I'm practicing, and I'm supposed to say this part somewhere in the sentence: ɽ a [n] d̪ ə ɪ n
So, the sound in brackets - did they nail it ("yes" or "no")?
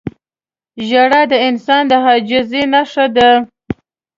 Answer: no